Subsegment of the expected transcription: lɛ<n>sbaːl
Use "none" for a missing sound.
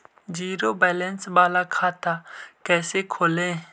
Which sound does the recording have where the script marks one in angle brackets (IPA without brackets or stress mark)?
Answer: n